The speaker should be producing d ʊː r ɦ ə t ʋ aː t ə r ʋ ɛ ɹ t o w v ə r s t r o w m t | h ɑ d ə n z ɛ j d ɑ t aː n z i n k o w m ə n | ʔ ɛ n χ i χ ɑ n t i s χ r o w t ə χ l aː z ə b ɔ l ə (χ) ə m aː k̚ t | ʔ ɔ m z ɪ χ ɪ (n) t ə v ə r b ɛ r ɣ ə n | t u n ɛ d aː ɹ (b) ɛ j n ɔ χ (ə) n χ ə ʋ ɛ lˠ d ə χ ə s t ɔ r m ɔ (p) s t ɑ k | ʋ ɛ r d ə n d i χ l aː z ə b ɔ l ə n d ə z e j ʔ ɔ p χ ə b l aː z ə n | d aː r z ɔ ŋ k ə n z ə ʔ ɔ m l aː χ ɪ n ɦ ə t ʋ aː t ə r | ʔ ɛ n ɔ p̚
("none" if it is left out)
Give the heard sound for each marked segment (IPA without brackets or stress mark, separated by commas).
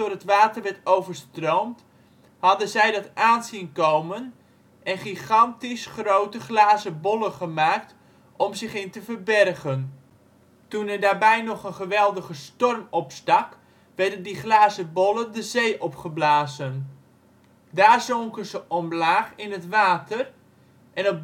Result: χ, n, b, ə, p